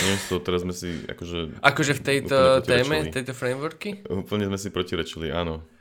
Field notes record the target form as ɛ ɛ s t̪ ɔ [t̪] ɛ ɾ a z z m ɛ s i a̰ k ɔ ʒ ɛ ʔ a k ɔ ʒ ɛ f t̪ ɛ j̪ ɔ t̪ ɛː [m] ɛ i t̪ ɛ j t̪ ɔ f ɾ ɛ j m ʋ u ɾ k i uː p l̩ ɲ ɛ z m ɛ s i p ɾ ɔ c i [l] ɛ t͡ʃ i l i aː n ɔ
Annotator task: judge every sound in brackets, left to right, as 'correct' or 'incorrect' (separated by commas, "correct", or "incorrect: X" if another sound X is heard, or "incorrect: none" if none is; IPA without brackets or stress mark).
correct, correct, incorrect: ɾ